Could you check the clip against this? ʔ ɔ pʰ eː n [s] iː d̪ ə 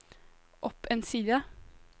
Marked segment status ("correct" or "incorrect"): correct